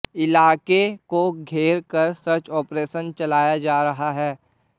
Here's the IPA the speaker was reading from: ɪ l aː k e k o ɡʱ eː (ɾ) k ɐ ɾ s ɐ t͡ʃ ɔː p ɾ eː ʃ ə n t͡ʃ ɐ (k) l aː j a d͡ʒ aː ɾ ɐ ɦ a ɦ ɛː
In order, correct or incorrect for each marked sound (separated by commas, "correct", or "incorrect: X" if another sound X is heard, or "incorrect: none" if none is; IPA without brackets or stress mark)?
correct, incorrect: none